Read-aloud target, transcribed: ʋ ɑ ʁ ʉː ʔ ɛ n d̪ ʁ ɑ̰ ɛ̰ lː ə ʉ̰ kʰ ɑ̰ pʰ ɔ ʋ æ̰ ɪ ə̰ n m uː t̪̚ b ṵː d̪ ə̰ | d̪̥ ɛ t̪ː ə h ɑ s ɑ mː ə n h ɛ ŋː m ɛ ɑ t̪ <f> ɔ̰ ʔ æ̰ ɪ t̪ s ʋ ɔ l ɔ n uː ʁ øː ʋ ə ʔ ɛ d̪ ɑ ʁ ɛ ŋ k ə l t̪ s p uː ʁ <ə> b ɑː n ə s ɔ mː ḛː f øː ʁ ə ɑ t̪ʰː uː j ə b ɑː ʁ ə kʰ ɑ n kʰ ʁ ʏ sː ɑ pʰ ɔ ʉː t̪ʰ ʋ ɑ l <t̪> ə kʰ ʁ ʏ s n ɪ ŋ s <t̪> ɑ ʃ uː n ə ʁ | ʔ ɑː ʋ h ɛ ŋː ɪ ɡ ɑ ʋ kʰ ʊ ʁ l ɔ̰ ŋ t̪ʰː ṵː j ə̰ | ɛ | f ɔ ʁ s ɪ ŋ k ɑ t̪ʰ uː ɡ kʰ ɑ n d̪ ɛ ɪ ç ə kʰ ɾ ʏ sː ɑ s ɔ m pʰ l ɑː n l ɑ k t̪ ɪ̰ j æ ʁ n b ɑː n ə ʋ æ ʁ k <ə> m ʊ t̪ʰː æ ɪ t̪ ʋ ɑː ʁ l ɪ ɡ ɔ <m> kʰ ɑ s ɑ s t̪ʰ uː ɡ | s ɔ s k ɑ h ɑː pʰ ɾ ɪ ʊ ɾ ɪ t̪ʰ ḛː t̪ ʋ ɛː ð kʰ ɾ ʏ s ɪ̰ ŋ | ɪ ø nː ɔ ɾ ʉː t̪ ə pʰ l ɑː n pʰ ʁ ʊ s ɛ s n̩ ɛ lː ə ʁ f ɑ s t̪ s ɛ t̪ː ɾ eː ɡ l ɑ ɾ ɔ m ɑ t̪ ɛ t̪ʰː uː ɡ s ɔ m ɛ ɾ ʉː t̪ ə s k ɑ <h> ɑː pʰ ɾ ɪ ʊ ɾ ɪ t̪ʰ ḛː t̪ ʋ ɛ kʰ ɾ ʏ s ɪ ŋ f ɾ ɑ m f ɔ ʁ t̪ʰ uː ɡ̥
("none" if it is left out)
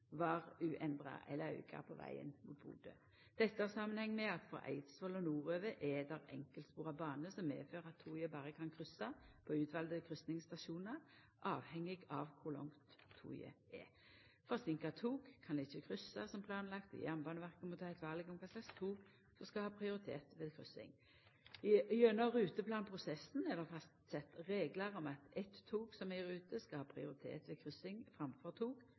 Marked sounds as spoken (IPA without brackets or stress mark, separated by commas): f, ɑ, d̪, t̪, ə, m, h